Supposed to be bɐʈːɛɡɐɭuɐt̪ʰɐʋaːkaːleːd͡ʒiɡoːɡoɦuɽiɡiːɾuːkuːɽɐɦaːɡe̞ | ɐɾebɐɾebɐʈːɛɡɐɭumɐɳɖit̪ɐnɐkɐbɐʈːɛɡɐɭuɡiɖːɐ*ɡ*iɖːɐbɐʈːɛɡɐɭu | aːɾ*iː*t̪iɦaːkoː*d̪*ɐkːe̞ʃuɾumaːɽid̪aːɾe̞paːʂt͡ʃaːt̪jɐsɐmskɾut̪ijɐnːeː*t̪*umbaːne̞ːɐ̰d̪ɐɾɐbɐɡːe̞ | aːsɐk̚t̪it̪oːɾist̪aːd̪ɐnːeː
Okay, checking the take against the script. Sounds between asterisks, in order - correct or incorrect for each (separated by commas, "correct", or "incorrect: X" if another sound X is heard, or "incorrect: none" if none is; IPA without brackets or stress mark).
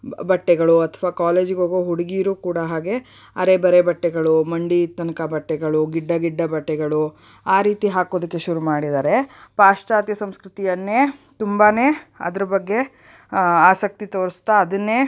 correct, correct, correct, correct